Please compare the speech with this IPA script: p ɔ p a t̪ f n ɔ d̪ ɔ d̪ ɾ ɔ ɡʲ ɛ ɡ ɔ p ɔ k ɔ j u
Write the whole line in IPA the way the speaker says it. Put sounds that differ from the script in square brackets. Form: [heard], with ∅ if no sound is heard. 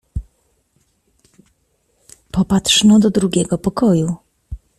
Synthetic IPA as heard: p ɔ p a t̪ [ʂ] n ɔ d̪ ɔ d̪ ɾ [u] ɡʲ ɛ ɡ ɔ p ɔ k ɔ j u